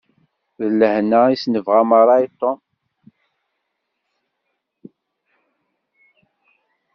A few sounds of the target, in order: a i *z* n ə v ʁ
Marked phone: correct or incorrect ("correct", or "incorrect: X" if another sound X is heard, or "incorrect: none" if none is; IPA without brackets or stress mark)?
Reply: incorrect: s